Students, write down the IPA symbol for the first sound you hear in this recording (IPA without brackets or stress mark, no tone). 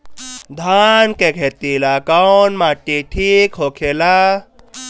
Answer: d̪ʱ